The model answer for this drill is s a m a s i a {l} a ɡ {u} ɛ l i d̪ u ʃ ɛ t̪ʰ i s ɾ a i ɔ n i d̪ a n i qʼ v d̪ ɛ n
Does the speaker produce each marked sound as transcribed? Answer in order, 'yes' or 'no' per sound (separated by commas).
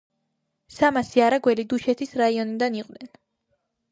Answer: no, no